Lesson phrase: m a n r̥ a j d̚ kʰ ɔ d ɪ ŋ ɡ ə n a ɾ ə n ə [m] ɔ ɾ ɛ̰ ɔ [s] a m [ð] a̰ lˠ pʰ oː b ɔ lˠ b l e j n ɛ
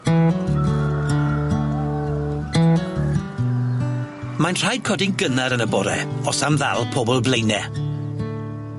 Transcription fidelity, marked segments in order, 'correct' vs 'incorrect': incorrect: b, correct, correct

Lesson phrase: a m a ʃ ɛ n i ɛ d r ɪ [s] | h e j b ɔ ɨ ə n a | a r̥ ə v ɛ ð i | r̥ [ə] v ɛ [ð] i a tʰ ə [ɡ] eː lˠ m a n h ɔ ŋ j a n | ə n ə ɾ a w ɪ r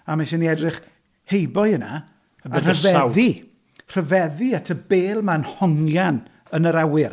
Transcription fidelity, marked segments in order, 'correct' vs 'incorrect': incorrect: χ, correct, correct, incorrect: b

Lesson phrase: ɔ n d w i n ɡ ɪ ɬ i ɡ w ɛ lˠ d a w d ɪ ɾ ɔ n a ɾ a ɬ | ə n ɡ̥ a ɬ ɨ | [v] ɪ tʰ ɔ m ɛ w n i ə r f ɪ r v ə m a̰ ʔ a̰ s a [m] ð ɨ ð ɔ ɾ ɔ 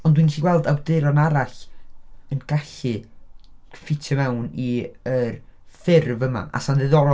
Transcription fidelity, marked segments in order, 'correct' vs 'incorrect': incorrect: f, incorrect: n

